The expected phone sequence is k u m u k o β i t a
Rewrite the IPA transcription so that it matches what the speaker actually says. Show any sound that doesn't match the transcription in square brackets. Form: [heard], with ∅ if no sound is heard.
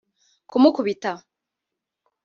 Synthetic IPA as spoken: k u m u k [u] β i t a